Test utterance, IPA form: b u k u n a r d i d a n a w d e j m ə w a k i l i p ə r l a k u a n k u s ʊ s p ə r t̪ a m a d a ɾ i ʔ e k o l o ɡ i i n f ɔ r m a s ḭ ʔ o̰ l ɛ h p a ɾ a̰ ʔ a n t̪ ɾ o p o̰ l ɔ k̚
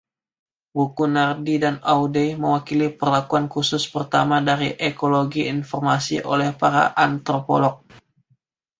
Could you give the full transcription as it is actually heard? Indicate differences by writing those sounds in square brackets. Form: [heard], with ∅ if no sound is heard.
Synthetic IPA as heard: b u k u n a r d i d a n a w d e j m ə w a k i l i p ə r l a k u a n k u s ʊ s p ə r t̪ a m a d a ɾ i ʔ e k o l o ɡ i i n f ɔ r m a s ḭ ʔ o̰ l ɛ h p a ɾ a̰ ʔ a n t̪ ɾ o p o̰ l ɔ k̚